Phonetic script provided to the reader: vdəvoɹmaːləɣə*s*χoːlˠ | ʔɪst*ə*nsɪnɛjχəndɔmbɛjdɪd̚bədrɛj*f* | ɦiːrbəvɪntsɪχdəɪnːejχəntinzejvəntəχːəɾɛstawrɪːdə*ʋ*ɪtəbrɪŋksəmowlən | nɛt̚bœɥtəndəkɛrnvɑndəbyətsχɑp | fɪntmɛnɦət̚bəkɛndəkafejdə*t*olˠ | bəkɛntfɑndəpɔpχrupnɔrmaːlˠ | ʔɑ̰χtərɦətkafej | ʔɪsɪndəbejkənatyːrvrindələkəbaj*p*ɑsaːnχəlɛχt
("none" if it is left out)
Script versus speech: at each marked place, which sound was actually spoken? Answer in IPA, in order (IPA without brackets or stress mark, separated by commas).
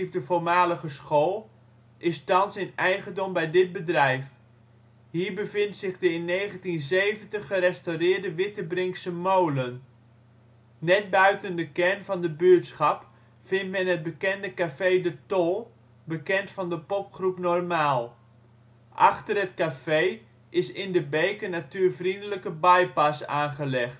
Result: s, ɑ, f, ʋ, t, p